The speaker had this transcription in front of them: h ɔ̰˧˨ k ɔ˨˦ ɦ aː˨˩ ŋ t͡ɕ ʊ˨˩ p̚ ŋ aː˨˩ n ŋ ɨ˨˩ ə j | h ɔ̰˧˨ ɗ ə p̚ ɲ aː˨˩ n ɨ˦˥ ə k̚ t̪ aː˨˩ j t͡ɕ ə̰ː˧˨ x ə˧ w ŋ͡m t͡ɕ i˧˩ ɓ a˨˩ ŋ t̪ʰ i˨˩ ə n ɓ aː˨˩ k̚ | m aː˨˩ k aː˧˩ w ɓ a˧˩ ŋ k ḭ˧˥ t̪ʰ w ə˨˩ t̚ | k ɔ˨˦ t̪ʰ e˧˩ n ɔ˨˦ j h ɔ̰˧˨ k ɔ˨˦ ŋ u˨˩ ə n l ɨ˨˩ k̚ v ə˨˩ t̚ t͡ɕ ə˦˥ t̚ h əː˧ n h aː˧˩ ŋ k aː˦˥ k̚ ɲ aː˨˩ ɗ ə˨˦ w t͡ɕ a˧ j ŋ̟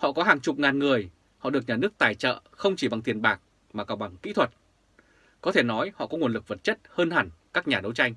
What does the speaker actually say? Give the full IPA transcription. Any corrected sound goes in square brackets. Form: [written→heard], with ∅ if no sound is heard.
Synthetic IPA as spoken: h ɔ̰˧˨ k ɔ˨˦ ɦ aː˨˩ ŋ t͡ɕ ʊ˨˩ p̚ ŋ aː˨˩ n ŋ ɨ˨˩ ə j | h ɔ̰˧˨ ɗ ə [p̚→k̚] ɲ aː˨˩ n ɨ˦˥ ə k̚ t̪ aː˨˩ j t͡ɕ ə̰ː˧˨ x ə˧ w ŋ͡m t͡ɕ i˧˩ ɓ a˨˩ ŋ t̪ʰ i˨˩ ə n ɓ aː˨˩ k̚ | m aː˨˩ k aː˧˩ w ɓ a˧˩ ŋ k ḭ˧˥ t̪ʰ w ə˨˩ t̚ | k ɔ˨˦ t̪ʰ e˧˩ n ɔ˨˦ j h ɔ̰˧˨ k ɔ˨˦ ŋ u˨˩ ə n l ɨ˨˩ k̚ v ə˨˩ t̚ t͡ɕ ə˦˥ t̚ h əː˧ n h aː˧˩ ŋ k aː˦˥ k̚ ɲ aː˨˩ ɗ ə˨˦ w t͡ɕ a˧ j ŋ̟

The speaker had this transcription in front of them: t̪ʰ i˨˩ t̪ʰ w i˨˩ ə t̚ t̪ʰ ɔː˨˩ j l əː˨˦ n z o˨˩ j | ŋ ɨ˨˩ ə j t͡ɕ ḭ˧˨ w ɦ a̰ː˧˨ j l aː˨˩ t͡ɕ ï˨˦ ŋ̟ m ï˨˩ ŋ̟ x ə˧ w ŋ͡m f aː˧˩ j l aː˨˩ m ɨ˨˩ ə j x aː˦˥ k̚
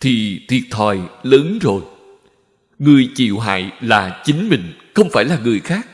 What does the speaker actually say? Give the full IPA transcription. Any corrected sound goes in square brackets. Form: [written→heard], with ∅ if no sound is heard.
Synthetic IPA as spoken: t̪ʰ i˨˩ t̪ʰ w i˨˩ ə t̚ t̪ʰ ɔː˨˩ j l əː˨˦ n z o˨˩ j | ŋ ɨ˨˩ ə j t͡ɕ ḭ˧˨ w ɦ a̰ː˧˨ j l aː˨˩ t͡ɕ ï˨˦ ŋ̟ m ï˨˩ ŋ̟ x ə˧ w ŋ͡m f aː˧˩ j l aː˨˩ [m→ŋ] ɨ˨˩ ə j x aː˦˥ k̚

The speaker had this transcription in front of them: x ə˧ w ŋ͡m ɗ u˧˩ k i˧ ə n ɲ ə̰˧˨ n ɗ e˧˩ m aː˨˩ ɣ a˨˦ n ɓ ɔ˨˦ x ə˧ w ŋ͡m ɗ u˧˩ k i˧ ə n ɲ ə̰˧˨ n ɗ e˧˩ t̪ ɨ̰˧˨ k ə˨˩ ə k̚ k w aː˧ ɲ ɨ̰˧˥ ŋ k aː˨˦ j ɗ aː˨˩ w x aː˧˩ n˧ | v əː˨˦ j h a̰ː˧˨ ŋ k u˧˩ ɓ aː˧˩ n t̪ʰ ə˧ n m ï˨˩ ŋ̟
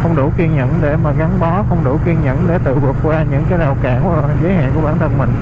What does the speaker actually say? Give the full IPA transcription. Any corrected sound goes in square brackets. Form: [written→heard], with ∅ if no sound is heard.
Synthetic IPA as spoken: x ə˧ w ŋ͡m ɗ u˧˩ k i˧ ə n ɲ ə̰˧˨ n ɗ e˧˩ m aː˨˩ ɣ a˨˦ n ɓ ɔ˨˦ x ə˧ w ŋ͡m ɗ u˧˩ k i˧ ə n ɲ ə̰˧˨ n ɗ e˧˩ t̪ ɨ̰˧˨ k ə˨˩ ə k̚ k w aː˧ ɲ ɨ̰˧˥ ŋ k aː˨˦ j ɗ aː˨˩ w [x→k] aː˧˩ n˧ | [v→z] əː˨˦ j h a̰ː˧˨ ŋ k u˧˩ ɓ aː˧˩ n t̪ʰ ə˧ n m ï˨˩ ŋ̟

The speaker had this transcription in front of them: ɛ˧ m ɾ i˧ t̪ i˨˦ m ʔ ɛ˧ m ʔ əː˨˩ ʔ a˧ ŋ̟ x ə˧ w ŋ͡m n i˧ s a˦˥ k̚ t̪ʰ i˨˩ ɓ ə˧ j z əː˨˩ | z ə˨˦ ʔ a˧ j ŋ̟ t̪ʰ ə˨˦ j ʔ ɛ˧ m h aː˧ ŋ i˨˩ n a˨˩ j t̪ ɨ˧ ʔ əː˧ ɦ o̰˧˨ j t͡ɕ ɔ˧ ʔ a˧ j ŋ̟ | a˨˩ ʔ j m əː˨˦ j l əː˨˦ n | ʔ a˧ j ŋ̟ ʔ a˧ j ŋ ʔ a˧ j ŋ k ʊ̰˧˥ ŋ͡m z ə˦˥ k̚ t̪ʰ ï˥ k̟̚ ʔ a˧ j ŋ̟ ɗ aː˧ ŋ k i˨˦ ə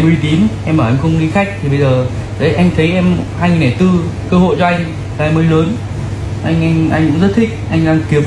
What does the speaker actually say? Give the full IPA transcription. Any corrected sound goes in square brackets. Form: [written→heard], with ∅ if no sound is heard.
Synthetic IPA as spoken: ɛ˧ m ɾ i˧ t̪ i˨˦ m ʔ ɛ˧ m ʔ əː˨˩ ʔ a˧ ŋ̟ x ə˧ w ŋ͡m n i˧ [s→x] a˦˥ k̚ t̪ʰ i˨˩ ɓ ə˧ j z əː˨˩ | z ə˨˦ ʔ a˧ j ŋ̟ t̪ʰ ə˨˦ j ʔ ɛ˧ m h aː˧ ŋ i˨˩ n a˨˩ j t̪ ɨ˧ [ʔ→k] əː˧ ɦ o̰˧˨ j t͡ɕ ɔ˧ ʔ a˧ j ŋ̟ | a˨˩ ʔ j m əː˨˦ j l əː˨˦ n | ʔ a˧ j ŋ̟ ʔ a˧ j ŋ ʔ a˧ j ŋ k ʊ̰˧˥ ŋ͡m z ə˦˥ [k̚→t̚] t̪ʰ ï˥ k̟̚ ʔ a˧ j ŋ̟ ɗ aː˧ ŋ k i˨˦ ə

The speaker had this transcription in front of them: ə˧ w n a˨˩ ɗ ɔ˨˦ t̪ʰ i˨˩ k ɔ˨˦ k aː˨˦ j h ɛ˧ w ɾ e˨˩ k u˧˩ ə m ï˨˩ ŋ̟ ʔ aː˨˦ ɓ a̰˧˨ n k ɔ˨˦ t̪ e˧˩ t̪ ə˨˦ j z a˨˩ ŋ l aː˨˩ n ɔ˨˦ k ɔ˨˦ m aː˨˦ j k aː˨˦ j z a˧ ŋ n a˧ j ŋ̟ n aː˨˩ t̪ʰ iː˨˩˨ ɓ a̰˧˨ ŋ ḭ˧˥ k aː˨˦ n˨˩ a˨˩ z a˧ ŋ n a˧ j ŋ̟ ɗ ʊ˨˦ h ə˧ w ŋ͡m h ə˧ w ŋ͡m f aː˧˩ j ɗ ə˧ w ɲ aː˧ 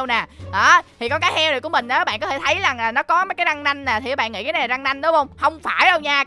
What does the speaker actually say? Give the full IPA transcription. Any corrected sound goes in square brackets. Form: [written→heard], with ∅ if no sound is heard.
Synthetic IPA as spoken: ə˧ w n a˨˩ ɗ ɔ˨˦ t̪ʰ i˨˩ k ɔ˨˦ k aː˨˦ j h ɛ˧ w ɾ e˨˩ k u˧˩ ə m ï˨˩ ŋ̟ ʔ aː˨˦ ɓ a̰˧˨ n k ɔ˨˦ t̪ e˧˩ [t̪→t̪ʰ] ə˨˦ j z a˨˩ ŋ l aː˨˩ n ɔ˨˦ k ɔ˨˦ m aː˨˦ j k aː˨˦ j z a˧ ŋ n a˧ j ŋ̟ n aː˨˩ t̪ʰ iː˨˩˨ ɓ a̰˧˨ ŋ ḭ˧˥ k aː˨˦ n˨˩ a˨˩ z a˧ ŋ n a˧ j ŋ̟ ɗ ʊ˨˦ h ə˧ w ŋ͡m h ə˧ w ŋ͡m f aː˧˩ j ɗ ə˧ w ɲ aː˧

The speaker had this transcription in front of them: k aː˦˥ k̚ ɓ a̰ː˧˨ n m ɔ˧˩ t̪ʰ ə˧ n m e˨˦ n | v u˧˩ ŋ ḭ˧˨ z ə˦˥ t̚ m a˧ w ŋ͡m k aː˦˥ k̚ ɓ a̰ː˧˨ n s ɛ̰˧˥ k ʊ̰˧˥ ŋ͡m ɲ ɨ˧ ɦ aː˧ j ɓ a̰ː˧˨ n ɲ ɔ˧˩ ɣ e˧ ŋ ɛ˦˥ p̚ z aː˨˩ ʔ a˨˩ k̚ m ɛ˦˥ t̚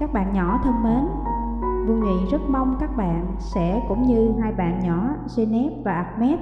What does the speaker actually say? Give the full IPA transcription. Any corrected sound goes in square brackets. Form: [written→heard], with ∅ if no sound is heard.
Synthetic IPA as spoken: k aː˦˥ k̚ ɓ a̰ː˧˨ n [m→ɲ] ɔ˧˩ t̪ʰ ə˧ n m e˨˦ n | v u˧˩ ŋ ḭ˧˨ z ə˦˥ t̚ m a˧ w ŋ͡m k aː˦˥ k̚ ɓ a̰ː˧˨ n s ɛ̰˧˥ k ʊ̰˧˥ ŋ͡m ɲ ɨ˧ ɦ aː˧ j ɓ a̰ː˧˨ n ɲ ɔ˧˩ [ɣ→z] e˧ [ŋ→n] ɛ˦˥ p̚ [z→v] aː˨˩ ʔ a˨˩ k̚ m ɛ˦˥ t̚

